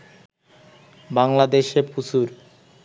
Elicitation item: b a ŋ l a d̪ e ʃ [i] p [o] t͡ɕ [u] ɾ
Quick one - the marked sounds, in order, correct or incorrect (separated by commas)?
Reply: incorrect, incorrect, correct